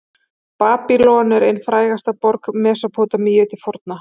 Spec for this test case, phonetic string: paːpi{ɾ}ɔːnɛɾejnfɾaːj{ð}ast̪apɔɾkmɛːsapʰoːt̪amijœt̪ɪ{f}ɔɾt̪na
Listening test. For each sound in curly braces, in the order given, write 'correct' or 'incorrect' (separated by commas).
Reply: incorrect, incorrect, correct